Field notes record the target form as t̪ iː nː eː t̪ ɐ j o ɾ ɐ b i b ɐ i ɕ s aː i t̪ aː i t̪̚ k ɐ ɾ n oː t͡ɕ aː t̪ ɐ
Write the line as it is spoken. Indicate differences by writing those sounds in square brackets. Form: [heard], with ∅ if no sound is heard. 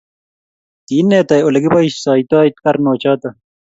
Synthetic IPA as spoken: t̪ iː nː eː t̪ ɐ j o [l] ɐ [ɡ] i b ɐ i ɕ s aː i t̪ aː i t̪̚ k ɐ ɾ n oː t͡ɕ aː t̪ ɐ